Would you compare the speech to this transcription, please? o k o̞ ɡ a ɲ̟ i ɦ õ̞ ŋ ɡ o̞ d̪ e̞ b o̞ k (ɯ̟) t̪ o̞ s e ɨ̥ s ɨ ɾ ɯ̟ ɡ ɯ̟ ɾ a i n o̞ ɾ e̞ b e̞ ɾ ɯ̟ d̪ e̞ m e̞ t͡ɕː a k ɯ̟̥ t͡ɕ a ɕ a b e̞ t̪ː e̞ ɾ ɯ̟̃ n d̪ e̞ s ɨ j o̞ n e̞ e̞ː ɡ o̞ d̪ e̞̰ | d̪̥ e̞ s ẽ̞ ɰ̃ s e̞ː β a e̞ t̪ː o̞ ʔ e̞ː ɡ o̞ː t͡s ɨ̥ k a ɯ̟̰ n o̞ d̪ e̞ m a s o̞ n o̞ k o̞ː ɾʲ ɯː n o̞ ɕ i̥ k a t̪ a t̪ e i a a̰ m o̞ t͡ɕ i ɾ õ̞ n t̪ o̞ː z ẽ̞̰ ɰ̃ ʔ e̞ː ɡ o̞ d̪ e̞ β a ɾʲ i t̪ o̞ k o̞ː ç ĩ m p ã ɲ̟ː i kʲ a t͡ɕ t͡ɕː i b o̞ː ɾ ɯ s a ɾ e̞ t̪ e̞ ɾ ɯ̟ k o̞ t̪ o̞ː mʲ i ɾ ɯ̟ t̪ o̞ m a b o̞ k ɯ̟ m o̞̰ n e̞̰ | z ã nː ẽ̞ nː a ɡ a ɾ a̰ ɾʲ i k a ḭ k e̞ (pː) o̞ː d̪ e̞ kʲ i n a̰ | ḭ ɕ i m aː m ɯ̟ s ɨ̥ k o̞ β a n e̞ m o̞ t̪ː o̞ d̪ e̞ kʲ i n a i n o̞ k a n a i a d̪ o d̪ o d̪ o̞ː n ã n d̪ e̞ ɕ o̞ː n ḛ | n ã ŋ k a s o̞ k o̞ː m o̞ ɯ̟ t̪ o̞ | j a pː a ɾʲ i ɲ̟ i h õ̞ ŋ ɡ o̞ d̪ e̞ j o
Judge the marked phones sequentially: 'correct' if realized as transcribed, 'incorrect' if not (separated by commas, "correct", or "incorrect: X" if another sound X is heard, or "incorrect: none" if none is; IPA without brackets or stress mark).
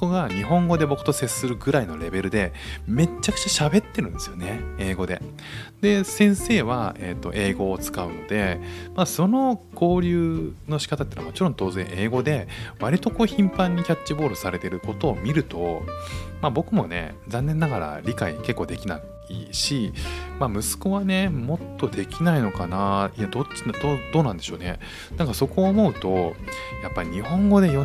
correct, incorrect: kː